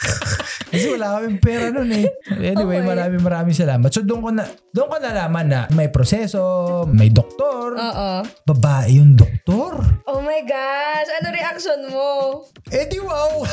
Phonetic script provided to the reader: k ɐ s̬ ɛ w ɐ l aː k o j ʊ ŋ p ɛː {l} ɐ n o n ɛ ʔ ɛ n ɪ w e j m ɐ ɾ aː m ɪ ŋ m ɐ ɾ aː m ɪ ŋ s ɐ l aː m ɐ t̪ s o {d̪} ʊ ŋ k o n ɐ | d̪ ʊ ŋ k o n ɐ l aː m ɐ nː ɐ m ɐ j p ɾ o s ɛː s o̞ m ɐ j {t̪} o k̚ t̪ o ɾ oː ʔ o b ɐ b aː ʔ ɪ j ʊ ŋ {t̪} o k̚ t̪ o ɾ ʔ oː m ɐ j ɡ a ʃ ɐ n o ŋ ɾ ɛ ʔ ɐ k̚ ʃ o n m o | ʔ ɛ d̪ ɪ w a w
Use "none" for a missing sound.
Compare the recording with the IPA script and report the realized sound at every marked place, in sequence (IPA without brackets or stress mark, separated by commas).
ɾ, d̪, d̪, d̪